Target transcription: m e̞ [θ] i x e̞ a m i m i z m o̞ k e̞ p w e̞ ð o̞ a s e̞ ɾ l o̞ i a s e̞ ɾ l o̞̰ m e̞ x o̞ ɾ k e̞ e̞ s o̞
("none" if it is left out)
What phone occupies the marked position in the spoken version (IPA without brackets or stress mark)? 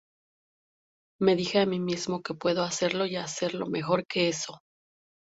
ð